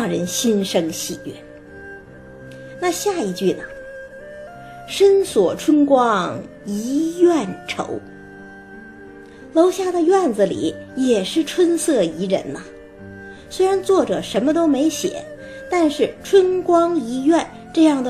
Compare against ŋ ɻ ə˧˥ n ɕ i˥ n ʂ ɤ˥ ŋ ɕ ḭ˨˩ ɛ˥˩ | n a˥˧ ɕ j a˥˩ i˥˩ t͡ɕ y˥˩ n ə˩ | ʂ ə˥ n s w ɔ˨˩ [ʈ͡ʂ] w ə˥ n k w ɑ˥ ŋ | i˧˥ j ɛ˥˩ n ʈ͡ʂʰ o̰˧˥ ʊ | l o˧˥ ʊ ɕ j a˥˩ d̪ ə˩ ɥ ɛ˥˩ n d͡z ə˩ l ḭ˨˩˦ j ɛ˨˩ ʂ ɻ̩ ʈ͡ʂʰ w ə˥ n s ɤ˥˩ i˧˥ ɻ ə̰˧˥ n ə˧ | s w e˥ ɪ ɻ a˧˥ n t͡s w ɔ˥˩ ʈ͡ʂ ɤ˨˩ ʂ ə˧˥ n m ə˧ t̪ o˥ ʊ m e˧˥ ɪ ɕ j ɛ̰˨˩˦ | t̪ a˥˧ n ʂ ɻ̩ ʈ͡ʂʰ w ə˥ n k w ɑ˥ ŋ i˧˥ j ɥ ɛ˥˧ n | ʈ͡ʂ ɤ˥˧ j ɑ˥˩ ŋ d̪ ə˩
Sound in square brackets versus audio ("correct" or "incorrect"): incorrect